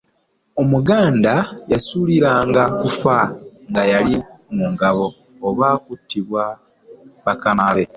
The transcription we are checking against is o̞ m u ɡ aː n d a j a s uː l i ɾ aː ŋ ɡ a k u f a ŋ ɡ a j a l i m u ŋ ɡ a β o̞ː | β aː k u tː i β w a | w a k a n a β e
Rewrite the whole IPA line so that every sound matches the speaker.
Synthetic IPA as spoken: o̞ m u ɡ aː n d a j a s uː l i ɾ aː ŋ ɡ a k u f a ŋ ɡ a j a l i m u ŋ ɡ a β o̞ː | β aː k u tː i β w a | β a k a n a β e